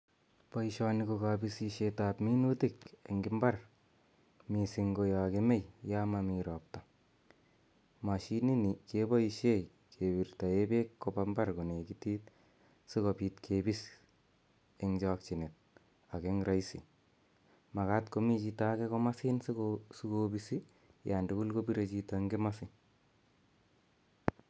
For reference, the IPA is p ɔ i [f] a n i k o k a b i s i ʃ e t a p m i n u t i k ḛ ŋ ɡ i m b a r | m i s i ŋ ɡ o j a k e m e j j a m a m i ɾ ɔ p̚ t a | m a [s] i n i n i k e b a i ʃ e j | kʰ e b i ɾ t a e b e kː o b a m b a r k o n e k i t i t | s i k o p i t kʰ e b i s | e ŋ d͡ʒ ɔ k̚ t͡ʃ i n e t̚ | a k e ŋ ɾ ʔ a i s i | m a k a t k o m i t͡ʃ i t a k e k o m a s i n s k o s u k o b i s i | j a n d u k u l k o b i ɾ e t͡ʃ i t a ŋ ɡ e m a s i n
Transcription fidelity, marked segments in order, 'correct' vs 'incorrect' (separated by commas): incorrect, incorrect